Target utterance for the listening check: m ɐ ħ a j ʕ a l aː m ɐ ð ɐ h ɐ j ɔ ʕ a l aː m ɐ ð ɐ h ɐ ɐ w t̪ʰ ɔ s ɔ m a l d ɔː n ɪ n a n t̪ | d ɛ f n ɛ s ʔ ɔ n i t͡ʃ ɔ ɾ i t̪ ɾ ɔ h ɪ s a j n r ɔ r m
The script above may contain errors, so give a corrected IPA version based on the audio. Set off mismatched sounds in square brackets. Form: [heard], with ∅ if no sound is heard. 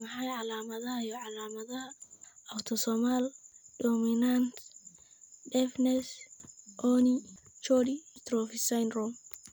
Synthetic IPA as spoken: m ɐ ħ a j ʕ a l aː m ɐ ð ɐ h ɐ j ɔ ʕ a l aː m ɐ ð ɐ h ɐ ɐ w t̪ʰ ɔ s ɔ m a l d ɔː [m] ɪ n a n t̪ | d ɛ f n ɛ s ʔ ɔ n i t͡ʃ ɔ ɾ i t̪ ɾ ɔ [f] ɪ s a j n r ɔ [∅] m